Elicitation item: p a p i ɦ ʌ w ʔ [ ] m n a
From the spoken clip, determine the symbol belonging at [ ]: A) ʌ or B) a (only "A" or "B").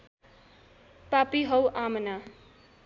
B